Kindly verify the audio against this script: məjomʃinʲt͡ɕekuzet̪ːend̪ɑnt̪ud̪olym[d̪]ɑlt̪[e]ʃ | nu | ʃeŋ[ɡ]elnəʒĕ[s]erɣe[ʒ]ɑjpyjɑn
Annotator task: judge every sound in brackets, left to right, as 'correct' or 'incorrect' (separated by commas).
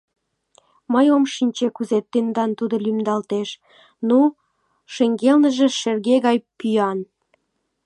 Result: correct, correct, correct, incorrect, incorrect